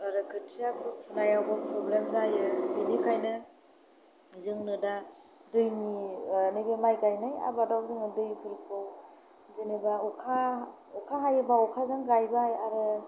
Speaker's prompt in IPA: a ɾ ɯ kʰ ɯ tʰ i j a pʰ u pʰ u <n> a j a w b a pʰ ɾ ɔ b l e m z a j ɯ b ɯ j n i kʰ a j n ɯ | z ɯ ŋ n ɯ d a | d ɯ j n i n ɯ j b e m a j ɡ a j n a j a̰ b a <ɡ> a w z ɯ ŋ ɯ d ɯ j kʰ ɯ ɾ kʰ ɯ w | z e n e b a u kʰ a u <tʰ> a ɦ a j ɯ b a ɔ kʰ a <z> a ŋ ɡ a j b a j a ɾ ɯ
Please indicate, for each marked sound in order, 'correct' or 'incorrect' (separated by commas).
correct, incorrect, incorrect, correct